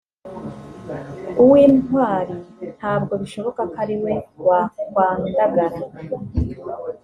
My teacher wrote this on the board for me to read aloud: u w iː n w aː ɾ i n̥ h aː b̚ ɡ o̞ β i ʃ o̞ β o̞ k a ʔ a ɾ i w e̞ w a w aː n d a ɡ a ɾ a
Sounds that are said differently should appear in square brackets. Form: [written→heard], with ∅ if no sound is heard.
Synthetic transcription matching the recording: u w iː n w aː ɾ i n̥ h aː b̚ ɡ o̞ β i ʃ o̞ β o̞ k a [ʔ→k] a ɾ i w e̞ w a w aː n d a ɡ a ɾ a